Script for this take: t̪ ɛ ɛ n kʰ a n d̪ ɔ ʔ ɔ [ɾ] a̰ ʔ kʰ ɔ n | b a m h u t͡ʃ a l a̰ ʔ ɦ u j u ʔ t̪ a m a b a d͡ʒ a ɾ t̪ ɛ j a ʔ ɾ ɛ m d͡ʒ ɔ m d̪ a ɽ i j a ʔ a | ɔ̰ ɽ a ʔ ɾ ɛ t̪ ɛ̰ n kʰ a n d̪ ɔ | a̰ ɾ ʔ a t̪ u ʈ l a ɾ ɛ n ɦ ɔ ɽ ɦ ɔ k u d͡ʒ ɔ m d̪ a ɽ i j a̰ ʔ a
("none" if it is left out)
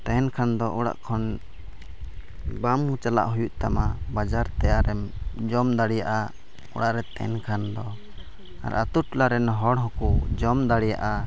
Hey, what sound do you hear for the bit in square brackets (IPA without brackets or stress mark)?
ɽ